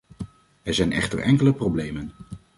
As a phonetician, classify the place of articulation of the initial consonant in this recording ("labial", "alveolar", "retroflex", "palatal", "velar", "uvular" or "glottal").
alveolar